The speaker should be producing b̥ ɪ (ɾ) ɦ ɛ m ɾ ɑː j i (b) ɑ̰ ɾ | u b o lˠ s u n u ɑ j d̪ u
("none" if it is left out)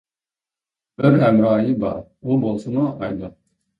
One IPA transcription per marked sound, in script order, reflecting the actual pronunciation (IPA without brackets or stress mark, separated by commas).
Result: ɾ, b